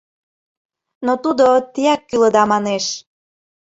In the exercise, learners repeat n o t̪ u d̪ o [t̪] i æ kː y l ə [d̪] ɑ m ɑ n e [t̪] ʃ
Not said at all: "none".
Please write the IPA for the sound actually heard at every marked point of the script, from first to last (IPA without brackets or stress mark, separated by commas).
t̪, d̪, none